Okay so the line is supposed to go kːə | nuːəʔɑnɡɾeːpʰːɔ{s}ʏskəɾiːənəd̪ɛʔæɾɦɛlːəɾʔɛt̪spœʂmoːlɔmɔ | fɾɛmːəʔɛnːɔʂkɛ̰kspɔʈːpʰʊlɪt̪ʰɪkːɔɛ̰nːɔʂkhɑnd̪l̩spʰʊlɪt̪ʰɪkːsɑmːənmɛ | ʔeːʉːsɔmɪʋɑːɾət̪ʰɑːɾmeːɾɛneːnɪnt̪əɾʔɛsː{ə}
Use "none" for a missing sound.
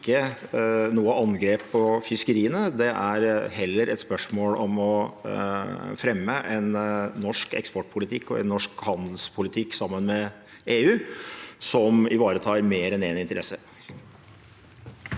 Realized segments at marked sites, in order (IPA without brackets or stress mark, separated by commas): f, ə